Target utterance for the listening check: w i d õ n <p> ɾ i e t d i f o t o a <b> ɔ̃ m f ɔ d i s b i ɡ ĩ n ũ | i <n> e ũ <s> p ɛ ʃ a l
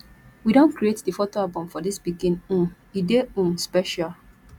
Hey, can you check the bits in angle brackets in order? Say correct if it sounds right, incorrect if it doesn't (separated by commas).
incorrect, correct, incorrect, correct